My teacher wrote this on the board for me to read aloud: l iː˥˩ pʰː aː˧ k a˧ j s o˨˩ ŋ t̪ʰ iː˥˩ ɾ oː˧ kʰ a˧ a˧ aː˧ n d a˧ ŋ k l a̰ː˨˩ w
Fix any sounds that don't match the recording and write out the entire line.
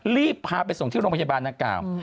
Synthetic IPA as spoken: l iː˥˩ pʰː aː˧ p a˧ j s o˨˩ ŋ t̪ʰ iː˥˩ ɾ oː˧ pʰ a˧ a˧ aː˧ n d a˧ ŋ k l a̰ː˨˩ w